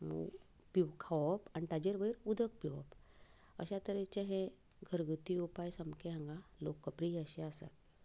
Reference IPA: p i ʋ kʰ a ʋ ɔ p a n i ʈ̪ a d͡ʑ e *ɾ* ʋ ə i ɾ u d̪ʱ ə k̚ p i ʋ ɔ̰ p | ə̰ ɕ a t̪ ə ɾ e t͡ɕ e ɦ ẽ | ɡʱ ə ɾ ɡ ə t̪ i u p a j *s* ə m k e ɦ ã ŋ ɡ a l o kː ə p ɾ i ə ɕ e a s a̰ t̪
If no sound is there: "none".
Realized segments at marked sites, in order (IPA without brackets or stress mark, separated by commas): ɾ, s